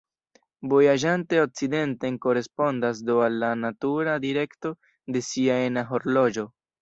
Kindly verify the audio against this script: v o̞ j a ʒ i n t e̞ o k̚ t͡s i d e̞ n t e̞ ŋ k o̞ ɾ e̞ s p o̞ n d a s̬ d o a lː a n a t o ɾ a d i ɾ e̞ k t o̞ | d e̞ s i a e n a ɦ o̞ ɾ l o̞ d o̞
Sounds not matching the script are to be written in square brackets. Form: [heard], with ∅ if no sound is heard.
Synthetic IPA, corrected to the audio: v o̞ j a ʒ [a] n t e̞ o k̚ t͡s i d e̞ n t e̞ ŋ k o̞ ɾ e̞ s p o̞ n d a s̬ d o a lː a n a t [u] ɾ a d i ɾ e̞ k t o̞ | d e̞ s i a e n a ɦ o̞ ɾ l o̞ [d͡ʒ] o̞